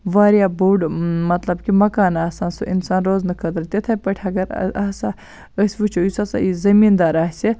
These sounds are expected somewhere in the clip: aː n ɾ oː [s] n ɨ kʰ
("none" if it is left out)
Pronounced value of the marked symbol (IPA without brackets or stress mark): z